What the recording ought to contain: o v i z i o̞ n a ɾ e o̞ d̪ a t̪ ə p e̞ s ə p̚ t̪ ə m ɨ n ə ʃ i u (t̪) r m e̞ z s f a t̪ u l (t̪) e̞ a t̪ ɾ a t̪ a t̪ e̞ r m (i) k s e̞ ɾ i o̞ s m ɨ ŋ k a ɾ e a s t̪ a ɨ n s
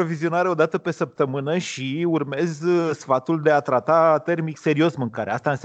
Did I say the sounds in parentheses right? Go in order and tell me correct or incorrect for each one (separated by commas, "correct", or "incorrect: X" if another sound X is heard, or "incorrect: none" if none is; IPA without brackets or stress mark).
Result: incorrect: none, incorrect: d̪, correct